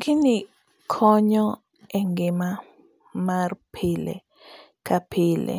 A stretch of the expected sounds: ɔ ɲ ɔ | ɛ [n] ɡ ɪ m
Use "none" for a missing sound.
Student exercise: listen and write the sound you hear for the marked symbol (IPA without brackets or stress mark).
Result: ŋ